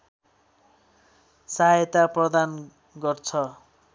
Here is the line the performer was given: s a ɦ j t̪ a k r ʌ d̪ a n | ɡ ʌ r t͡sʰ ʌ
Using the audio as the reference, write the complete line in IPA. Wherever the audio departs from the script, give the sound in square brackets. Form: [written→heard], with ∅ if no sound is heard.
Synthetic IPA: s a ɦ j t̪ a [k→p] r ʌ d̪ a n | ɡ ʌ r t͡sʰ ʌ